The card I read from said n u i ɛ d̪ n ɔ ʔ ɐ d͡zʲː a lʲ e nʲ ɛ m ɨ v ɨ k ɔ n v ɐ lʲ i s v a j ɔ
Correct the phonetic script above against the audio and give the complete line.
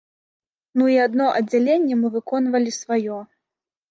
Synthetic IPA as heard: n u i a d̪ n ɔ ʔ ɐ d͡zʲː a lʲ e nʲː ɛ m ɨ v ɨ k ɔ n v ɐ lʲ i s v a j ɔ